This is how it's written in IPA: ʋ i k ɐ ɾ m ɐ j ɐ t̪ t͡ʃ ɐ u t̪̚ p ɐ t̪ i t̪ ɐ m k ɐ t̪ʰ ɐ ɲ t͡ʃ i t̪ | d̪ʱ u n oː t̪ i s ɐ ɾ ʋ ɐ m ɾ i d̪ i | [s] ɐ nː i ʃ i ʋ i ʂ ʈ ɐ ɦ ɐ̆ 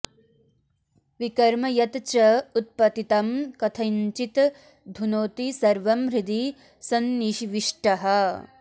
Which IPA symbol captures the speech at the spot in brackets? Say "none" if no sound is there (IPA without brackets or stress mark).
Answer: s